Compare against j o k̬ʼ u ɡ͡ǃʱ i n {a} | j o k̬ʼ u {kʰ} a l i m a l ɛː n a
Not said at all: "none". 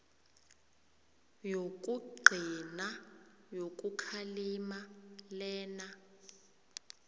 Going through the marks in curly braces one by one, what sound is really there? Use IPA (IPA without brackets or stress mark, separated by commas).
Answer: a, kʰ